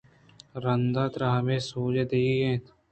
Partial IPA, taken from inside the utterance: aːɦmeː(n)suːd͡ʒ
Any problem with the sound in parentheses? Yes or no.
yes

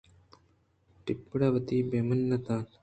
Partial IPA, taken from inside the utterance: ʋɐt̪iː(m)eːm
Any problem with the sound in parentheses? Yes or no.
yes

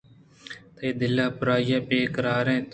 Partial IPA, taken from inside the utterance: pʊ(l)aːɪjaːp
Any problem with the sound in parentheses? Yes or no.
yes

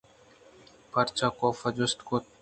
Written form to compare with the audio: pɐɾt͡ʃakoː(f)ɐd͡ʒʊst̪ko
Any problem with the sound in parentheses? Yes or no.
no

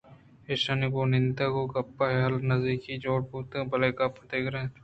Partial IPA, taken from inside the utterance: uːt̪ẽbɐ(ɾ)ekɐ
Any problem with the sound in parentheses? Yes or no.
yes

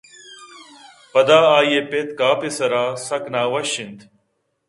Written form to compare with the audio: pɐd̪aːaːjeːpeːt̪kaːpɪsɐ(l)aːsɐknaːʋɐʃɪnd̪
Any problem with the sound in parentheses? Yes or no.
yes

